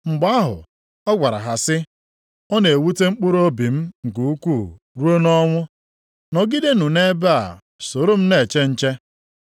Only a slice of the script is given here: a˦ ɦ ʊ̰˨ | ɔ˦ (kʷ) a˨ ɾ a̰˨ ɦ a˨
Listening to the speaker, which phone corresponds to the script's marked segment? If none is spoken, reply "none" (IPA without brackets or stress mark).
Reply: ɡʷ